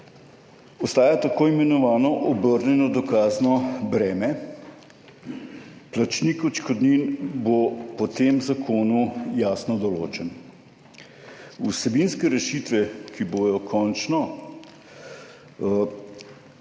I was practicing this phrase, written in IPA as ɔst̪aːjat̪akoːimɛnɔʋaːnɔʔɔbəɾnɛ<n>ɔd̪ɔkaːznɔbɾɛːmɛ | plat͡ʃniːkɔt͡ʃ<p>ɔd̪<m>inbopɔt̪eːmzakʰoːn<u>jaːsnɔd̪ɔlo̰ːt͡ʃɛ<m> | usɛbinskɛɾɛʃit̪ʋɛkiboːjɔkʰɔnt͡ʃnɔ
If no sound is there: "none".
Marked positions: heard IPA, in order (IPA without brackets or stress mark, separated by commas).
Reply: n, k, n, u, n